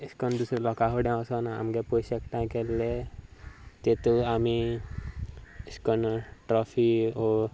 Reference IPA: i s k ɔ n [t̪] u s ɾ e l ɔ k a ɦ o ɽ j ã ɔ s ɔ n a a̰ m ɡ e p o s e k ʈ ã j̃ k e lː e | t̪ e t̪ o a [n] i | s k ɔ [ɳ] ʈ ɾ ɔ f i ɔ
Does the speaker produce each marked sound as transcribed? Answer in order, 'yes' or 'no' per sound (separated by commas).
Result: no, no, no